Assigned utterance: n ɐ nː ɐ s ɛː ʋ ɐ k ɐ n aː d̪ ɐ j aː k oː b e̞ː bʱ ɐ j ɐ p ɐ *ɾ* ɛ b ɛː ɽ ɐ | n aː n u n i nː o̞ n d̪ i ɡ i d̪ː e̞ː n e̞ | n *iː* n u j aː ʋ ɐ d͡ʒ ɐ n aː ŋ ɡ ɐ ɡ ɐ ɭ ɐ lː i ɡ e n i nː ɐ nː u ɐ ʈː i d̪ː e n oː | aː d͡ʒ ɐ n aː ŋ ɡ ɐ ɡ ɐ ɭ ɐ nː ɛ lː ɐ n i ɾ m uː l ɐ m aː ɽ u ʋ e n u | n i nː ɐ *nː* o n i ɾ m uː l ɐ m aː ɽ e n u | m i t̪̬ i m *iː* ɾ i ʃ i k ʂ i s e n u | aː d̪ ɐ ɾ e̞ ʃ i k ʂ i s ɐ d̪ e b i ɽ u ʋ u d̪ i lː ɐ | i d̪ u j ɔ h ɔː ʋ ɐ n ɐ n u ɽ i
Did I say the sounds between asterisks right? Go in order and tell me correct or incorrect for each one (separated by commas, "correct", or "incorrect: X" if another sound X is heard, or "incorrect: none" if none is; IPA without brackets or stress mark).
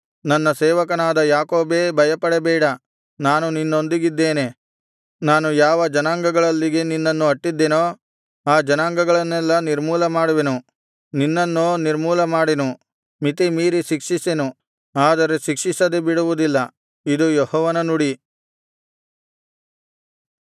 incorrect: ɽ, incorrect: aː, correct, correct